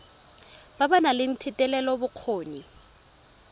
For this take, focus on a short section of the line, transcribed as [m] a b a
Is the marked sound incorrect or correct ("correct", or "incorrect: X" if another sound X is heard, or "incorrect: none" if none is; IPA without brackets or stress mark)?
incorrect: b